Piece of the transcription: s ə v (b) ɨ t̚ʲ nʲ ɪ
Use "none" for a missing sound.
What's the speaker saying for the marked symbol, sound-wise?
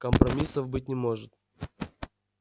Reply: b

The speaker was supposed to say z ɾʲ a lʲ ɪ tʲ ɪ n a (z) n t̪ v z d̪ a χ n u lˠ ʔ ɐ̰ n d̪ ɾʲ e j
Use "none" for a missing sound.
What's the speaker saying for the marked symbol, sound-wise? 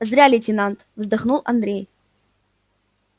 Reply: none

